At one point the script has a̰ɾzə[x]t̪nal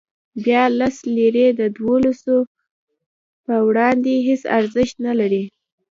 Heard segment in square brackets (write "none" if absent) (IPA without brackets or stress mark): ʃ